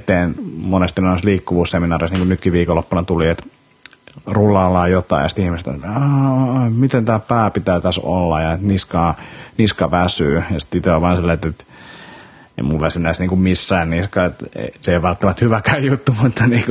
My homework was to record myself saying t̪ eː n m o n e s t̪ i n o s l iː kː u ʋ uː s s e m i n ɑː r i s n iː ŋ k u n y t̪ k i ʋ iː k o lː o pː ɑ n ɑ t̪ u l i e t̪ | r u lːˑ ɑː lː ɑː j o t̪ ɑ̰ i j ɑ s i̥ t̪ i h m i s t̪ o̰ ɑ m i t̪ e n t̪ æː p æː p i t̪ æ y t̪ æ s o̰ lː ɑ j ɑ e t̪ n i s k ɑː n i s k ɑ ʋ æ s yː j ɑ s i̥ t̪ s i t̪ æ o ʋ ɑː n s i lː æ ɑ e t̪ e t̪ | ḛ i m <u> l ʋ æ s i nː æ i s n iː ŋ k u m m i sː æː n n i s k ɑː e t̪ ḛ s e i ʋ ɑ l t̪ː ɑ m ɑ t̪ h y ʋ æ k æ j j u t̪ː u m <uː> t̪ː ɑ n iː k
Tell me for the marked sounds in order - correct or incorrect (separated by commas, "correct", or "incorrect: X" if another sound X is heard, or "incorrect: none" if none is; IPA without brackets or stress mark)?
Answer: correct, incorrect: u